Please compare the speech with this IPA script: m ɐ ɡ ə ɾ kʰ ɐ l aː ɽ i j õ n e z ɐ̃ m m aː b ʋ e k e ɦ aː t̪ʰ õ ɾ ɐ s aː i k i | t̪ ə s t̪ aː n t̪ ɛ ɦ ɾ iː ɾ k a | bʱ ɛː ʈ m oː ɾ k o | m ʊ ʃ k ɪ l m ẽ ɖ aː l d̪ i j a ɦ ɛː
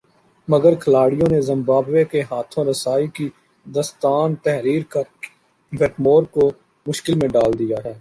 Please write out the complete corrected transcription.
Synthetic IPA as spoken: m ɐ ɡ ə ɾ kʰ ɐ l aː ɽ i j õ n e z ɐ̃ m b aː b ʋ e k e ɦ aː t̪ʰ õ ɾ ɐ s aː i k i | d̪ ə s t̪ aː n t̪ ɛ ɦ ɾ iː ɾ k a | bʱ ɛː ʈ m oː ɾ k o | m ʊ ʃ k ɪ l m ẽ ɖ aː l d̪ i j a ɦ ɛː